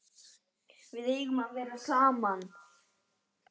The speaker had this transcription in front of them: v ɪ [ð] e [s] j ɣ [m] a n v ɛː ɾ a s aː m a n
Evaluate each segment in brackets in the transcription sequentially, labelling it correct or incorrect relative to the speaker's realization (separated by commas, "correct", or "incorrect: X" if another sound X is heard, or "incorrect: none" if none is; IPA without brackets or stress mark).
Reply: correct, incorrect: none, correct